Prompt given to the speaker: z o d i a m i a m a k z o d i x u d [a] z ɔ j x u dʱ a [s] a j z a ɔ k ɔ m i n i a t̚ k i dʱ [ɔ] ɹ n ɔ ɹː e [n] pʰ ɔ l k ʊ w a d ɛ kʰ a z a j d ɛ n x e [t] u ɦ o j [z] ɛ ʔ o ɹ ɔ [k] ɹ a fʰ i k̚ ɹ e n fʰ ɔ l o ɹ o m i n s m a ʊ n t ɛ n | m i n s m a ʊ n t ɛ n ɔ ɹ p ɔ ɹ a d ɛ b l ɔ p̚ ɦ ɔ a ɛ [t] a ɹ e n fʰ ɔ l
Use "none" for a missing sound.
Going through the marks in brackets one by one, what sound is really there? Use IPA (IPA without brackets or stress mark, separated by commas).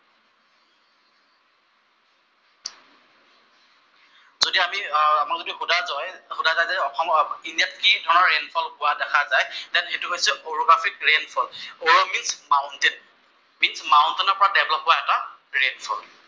a, z, ɔ, n, t, s, ɡ, t